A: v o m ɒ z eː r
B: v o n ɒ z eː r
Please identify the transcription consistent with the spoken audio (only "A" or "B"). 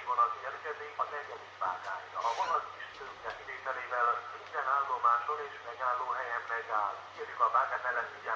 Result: B